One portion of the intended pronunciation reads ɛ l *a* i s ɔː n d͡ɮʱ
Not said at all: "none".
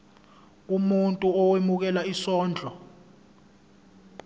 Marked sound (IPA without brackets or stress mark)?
a